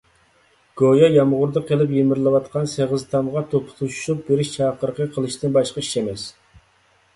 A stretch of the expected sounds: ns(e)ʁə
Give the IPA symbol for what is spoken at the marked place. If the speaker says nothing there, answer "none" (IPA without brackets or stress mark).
e